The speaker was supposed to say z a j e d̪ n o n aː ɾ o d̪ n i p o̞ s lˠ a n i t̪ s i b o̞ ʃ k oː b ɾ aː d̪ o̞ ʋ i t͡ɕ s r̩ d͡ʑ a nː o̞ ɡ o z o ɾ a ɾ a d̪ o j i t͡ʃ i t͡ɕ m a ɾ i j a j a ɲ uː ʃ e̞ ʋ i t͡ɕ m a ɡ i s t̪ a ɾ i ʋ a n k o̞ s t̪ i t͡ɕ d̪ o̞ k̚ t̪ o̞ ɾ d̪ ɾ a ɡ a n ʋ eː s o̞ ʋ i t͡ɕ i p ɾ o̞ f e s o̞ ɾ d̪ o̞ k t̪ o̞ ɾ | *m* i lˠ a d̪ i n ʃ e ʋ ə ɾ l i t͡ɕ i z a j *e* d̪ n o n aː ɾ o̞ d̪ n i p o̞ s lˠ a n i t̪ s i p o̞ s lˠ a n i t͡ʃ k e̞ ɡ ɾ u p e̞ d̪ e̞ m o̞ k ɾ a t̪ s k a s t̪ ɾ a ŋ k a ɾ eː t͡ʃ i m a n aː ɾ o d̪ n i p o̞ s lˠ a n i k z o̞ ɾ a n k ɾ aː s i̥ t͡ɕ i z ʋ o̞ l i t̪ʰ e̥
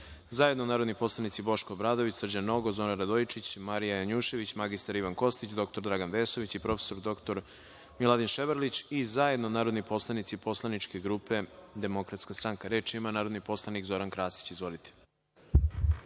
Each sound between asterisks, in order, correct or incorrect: correct, correct

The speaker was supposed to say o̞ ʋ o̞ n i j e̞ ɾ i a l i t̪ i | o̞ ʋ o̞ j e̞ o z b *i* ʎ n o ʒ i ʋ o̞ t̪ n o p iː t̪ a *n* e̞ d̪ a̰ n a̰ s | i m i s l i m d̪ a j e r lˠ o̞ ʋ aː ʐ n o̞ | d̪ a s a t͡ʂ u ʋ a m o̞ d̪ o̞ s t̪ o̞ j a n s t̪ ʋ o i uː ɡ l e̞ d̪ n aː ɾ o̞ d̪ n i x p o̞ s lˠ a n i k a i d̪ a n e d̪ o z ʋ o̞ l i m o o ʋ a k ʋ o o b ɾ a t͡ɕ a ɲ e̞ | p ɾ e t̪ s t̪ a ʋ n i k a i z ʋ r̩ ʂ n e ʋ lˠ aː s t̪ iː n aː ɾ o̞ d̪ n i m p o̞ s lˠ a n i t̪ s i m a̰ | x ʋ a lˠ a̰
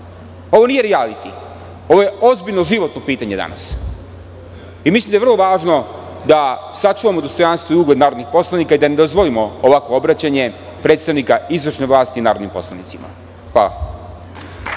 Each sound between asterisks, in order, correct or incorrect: correct, incorrect

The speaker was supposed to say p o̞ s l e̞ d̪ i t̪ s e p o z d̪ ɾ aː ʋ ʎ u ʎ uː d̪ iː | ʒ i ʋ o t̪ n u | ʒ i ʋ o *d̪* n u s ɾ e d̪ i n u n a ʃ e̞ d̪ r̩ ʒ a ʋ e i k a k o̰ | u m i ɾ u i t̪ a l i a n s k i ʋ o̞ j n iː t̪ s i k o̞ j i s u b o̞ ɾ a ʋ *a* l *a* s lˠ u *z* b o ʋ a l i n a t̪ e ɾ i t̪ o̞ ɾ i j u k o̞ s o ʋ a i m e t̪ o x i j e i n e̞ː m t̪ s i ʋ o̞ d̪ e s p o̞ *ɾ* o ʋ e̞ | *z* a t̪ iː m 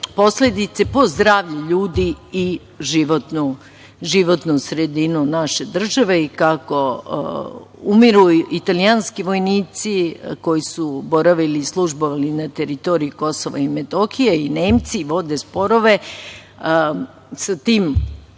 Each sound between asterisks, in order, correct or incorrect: incorrect, incorrect, incorrect, incorrect, correct, incorrect

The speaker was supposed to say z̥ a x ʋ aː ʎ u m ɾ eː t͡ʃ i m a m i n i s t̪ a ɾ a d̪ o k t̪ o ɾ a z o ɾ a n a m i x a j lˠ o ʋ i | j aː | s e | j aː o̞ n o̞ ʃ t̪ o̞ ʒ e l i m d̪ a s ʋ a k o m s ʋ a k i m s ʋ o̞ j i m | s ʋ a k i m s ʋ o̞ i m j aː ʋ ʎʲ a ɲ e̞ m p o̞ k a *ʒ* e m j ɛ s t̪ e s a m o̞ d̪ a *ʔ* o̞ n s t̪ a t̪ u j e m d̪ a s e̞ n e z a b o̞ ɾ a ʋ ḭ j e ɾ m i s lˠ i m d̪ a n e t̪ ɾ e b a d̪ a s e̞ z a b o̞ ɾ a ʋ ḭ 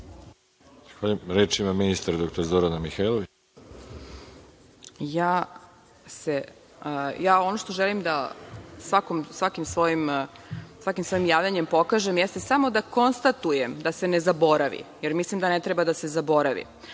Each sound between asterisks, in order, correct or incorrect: correct, incorrect

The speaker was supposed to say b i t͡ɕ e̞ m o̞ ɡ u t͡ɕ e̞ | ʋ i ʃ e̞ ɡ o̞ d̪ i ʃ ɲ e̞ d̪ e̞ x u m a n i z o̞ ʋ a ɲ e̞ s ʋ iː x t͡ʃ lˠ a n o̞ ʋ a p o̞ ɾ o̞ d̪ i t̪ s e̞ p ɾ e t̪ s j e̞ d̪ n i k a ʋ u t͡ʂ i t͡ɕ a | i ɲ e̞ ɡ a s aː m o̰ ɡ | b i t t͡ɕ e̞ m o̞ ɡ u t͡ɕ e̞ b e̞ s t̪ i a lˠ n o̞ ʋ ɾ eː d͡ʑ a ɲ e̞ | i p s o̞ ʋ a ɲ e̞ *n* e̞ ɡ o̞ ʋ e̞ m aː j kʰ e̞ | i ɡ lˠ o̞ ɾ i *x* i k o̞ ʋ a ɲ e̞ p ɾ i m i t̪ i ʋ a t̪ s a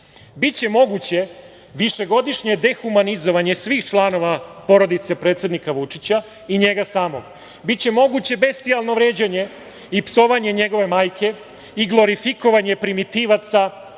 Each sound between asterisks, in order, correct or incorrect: incorrect, incorrect

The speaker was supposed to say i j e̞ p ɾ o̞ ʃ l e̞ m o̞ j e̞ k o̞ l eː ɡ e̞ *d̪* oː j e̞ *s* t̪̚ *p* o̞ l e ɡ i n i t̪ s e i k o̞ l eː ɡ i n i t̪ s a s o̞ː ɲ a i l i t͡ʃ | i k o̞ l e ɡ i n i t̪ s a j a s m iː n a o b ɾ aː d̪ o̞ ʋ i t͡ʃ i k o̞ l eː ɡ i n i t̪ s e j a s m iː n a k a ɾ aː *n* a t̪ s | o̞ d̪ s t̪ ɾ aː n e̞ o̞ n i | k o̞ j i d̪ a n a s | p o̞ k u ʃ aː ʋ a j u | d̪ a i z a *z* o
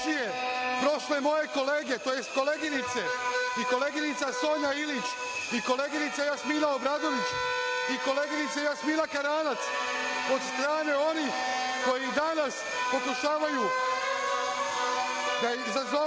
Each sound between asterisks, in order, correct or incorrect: incorrect, correct, incorrect, correct, correct

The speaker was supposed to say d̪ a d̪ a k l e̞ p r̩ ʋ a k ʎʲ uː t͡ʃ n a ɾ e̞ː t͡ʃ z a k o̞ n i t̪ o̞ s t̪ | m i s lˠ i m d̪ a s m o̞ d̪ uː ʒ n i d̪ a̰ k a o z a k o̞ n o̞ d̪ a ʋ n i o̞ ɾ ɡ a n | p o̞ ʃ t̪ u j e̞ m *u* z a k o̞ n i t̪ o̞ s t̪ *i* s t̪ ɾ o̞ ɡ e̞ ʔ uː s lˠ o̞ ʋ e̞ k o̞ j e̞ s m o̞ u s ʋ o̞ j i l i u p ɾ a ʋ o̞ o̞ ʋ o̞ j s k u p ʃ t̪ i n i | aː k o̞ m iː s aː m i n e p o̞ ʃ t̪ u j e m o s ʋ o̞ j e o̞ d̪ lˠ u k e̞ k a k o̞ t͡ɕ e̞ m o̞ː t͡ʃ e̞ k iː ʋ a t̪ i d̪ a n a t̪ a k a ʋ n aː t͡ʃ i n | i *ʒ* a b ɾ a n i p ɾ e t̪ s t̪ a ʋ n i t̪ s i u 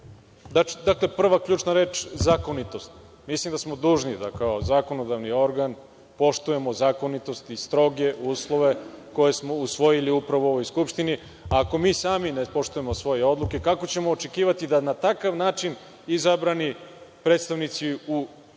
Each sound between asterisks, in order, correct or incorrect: incorrect, correct, incorrect

